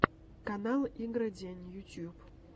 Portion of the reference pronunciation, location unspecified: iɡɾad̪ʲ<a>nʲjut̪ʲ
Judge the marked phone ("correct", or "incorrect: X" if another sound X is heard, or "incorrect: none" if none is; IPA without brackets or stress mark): incorrect: e